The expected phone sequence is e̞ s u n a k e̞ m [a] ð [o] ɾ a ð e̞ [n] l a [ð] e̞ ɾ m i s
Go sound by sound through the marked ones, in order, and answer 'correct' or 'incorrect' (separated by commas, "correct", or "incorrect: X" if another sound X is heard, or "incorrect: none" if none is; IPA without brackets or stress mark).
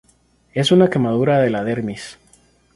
correct, incorrect: u, incorrect: none, correct